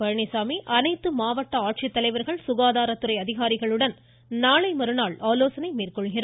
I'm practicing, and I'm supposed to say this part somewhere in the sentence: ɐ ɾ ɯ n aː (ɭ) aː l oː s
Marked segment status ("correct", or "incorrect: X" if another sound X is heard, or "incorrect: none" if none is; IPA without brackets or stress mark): correct